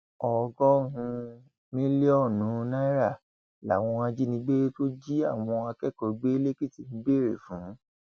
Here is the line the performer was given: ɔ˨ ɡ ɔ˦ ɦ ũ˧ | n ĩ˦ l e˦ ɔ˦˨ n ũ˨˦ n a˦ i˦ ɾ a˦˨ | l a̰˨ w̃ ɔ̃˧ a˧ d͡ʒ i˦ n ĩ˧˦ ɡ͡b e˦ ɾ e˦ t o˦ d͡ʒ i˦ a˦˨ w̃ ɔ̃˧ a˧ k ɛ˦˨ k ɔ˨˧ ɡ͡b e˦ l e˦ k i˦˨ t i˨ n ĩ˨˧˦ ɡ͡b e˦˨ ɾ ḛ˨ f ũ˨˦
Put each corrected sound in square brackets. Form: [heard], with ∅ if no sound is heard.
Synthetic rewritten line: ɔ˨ ɡ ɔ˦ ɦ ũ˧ | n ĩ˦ l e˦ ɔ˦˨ n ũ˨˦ n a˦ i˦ ɾ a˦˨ | l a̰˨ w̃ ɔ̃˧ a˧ d͡ʒ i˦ n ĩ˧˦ ɡ͡b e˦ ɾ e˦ t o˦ d͡ʒ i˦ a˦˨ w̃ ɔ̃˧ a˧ k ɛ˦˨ k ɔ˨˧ ɡ͡b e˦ l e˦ k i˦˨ t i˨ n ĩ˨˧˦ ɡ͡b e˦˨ ɾ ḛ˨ f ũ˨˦